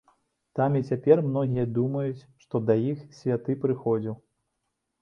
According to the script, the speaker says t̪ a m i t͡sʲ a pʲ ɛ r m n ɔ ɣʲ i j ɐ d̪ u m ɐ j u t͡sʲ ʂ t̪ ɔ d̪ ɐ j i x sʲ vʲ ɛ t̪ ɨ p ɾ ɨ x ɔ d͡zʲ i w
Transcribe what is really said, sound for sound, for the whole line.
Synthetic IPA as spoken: t̪ a m i t͡sʲ a pʲ ɛ r m n ɔ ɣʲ i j ɐ d̪ u m ɐ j u t͡sʲ ʂ t̪ ɔ d̪ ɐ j i x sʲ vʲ a t̪ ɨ p ɾ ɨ x ɔ d͡zʲ i w